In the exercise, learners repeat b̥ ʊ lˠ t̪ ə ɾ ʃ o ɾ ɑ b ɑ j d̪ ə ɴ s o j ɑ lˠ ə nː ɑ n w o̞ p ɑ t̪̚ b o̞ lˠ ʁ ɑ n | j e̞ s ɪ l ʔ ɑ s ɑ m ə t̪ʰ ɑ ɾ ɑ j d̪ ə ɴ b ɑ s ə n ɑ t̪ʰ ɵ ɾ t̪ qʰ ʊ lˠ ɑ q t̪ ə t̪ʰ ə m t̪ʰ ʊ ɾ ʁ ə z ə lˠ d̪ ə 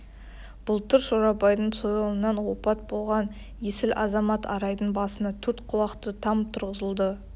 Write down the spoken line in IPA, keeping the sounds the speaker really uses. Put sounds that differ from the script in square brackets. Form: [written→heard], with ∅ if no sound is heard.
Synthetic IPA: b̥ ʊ lˠ t̪ ə ɾ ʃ o ɾ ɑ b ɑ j d̪ ə ɴ s o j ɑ lˠ ə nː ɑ n w o̞ p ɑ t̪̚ b o̞ lˠ ʁ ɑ n | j e̞ s ɪ l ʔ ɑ [s→z] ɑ m [ə→ɑ] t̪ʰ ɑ ɾ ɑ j d̪ ə ɴ b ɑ s ə n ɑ t̪ʰ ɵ ɾ t̪ qʰ ʊ lˠ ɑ q t̪ ə t̪ʰ [ə→ɑ] m t̪ʰ ʊ ɾ ʁ ə z ə lˠ d̪ ə